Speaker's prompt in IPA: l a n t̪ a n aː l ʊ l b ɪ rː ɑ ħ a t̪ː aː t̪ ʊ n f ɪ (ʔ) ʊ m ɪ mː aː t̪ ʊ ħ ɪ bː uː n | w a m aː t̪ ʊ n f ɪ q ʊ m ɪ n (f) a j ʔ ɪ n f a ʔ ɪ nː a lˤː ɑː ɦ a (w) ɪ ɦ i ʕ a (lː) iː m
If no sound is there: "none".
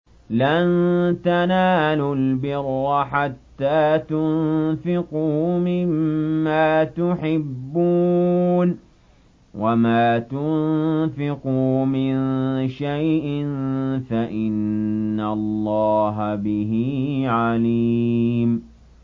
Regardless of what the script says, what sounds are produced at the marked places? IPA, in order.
q, ʃ, b, l

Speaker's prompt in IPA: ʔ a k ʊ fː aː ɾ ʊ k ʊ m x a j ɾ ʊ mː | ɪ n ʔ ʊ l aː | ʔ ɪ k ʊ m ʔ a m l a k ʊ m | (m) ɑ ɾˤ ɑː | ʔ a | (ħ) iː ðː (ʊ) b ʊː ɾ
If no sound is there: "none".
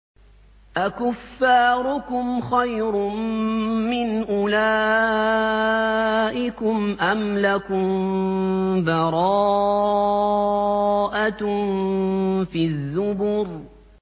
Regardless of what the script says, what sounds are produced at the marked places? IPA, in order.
b, f, ʊ

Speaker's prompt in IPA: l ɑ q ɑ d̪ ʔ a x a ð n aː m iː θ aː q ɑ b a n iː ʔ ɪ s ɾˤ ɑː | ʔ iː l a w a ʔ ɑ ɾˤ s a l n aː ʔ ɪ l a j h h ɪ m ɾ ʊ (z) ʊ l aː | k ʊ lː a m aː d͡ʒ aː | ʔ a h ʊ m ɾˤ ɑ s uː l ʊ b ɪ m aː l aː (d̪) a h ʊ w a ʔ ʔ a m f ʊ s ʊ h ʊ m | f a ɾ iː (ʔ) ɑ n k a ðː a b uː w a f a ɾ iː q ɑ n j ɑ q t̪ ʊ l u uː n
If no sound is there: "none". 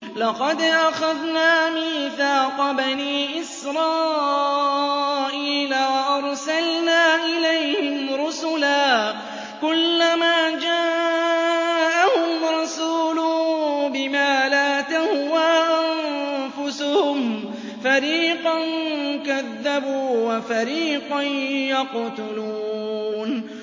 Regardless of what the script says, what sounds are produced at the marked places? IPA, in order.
s, t̪, q

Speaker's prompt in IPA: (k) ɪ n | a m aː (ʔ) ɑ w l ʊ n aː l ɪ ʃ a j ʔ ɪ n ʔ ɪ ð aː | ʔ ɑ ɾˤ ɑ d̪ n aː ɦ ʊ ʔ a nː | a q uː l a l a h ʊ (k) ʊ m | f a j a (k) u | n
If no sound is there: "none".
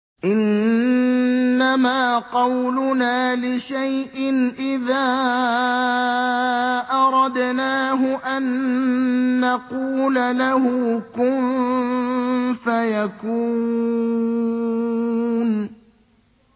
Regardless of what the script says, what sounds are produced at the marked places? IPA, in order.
ʔ, q, k, k

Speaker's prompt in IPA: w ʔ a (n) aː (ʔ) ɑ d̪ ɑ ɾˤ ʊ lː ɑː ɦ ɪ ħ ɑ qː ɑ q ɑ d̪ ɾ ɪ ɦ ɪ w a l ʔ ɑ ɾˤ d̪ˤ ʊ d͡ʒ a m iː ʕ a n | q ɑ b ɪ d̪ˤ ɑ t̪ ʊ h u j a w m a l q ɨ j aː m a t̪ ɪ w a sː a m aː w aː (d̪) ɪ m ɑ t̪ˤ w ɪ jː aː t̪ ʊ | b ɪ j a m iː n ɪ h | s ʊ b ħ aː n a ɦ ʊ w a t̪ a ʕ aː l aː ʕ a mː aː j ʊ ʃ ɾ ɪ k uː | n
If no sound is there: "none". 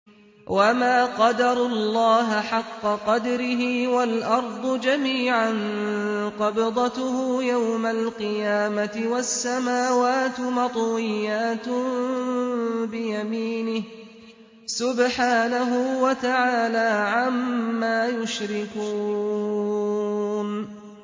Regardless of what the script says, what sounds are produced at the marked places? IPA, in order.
m, q, t̪

